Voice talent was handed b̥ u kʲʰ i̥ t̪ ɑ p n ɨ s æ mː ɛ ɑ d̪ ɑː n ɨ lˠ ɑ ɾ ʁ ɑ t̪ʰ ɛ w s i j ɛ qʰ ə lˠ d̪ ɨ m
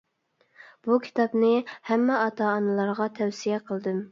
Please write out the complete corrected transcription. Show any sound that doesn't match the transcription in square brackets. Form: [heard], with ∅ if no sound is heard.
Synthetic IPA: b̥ u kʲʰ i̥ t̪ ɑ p n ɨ [h] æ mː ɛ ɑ [t̪] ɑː n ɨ lˠ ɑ ɾ ʁ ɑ t̪ʰ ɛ w s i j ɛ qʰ ə lˠ d̪ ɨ m